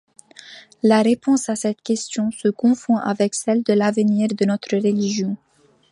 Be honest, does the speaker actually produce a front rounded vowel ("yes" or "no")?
no